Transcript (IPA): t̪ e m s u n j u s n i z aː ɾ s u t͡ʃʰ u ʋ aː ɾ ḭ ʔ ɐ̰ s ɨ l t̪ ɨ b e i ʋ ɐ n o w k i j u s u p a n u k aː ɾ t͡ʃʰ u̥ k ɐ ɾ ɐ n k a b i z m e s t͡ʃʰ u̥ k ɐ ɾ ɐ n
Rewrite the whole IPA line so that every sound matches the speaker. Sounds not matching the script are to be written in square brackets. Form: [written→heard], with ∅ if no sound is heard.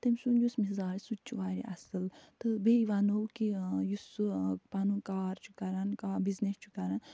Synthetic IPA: t̪ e m s u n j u s [n→m] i z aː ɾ s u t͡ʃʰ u ʋ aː ɾ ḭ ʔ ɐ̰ s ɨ l t̪ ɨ b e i ʋ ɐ n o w k i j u s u p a n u k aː ɾ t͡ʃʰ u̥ k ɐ ɾ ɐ n k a b i z [m→n] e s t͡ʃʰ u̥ k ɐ ɾ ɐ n

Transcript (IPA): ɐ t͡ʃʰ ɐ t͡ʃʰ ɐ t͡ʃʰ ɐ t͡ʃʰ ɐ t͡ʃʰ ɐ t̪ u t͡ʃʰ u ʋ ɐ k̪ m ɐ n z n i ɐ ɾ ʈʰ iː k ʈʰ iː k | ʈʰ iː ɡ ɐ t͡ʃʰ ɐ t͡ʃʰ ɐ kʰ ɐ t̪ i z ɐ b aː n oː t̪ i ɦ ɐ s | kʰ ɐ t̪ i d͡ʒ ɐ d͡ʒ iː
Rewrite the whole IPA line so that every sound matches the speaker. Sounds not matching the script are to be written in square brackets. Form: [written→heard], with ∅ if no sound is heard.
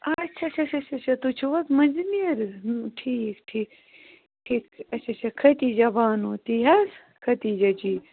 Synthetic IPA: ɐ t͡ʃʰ ɐ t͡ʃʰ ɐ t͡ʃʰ ɐ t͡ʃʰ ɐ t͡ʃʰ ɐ t̪ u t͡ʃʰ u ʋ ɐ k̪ m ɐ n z n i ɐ ɾ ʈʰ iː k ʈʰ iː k | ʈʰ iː [ɡ→k] ɐ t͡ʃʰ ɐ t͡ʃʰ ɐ kʰ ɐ t̪ i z ɐ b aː n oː t̪ i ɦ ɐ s | kʰ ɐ t̪ i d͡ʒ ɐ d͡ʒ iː

